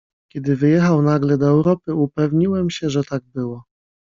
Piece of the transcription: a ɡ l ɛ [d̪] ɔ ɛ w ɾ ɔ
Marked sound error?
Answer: no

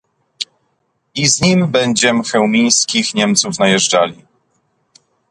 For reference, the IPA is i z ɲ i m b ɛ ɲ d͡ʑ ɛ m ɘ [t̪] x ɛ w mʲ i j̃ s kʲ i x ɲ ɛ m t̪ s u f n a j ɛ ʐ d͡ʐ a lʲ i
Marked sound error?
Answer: yes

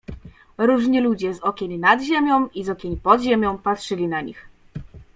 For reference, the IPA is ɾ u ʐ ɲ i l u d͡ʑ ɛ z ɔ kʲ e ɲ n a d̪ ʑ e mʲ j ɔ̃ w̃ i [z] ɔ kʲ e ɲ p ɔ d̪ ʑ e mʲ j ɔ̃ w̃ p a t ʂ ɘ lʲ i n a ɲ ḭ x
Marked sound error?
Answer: no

